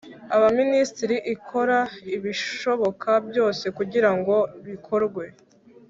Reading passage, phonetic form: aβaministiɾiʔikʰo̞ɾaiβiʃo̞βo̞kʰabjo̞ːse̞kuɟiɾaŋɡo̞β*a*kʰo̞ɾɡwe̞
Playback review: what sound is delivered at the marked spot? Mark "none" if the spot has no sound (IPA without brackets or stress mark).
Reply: i